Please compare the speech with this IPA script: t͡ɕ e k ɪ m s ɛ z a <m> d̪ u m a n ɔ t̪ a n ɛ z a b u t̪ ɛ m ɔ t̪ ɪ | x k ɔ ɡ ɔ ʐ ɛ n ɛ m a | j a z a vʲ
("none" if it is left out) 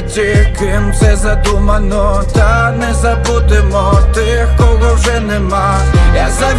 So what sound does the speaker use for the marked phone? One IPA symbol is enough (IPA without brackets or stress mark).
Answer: none